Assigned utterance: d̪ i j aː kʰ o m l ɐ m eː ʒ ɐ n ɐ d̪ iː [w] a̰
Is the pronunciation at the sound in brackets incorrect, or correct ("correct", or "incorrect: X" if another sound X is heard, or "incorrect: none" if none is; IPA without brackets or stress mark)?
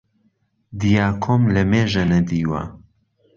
correct